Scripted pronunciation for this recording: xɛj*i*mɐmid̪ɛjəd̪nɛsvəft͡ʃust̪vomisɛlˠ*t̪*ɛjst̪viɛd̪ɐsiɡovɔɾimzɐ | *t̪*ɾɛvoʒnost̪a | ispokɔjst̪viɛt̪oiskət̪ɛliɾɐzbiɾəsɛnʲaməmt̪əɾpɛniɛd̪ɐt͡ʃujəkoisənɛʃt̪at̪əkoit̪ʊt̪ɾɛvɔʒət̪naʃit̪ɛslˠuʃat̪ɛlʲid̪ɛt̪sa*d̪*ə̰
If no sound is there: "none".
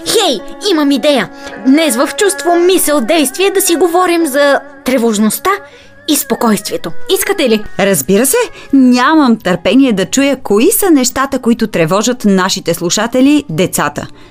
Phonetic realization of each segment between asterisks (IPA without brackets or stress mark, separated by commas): i, d̪, t̪, t̪